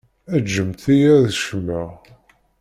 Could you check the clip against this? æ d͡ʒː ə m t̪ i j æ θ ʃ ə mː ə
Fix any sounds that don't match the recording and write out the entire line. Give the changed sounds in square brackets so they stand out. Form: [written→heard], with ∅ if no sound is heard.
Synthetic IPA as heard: æ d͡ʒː ə m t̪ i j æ [θ→ð] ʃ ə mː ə